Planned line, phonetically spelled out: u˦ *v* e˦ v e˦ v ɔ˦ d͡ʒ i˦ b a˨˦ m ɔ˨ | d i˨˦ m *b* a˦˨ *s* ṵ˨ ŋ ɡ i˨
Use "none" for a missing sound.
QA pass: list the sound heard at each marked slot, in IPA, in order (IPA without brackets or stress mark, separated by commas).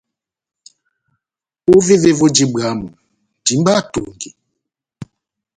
v, b, t